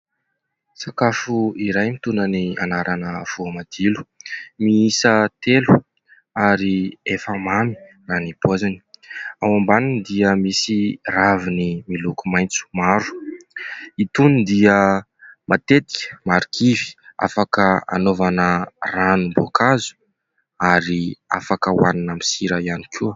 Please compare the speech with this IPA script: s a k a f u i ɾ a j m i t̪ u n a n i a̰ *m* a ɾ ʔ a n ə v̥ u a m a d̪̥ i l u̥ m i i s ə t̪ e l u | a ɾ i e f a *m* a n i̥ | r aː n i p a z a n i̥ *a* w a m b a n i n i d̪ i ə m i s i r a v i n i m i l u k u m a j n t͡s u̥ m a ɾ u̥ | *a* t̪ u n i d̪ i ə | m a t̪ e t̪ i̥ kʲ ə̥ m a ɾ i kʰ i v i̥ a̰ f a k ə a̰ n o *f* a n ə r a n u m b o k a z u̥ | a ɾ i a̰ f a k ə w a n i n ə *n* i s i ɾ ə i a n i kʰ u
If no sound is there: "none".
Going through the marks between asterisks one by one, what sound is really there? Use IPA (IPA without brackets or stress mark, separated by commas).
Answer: n, m, a, i, v, m